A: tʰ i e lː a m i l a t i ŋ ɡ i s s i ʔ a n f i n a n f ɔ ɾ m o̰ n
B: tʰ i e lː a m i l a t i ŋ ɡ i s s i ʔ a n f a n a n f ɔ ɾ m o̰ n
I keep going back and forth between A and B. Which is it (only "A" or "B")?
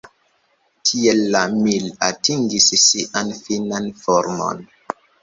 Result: A